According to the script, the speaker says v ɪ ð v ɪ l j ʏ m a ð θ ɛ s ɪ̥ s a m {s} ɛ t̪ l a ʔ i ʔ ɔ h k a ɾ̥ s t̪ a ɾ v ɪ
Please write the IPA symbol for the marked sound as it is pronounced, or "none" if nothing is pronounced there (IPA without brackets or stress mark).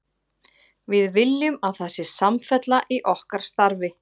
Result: f